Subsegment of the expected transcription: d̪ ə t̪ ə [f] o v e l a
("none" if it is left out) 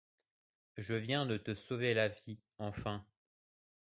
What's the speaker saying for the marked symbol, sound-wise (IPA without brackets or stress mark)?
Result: s